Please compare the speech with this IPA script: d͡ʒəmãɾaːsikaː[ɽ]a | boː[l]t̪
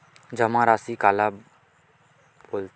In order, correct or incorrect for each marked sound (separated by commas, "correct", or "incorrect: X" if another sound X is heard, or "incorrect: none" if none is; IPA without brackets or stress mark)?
incorrect: l, correct